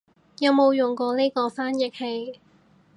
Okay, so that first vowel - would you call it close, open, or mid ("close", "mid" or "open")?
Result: open